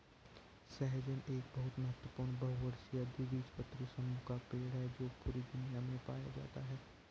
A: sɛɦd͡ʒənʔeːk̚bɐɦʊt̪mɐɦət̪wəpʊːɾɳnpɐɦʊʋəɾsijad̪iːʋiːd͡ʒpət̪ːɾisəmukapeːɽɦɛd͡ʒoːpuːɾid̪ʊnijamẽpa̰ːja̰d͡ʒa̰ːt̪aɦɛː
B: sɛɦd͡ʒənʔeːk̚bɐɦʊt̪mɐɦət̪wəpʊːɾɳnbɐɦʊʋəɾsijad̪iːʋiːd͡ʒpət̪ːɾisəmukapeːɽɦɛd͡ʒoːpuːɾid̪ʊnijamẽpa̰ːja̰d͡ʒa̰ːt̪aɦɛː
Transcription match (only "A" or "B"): B